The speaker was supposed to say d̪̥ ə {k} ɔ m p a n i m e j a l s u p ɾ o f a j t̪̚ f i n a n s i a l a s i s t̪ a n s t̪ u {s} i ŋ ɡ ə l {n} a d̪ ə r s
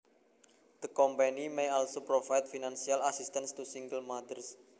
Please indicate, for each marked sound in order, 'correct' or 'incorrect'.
correct, correct, incorrect: m

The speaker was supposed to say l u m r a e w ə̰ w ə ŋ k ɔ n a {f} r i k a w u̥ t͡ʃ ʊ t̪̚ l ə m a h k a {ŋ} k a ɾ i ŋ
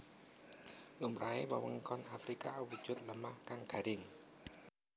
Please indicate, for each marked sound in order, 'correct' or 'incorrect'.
correct, correct

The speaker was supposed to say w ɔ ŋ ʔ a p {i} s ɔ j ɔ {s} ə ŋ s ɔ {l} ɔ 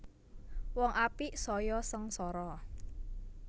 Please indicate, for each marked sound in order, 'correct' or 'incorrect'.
correct, correct, incorrect: ɾ

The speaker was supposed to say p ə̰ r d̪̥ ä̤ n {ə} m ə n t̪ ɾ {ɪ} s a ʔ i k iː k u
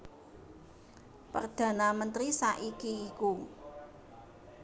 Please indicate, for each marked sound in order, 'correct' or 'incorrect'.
incorrect: a, incorrect: i

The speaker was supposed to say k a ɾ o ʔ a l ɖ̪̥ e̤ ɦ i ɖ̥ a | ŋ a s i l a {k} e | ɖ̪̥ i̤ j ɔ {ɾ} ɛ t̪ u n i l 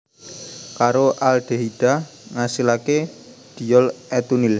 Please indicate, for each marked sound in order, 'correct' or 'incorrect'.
correct, incorrect: l

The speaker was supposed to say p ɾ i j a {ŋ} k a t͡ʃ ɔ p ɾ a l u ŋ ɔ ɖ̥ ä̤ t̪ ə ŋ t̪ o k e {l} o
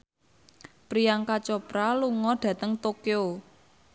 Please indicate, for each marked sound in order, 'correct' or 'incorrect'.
correct, incorrect: none

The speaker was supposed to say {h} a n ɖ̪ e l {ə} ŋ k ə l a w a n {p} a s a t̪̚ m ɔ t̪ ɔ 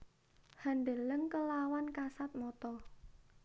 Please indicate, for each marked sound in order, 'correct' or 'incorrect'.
correct, correct, incorrect: k

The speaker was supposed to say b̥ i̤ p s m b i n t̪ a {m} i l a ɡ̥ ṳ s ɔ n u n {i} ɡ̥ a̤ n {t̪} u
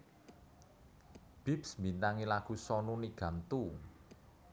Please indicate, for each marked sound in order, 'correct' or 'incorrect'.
incorrect: ŋ, correct, correct

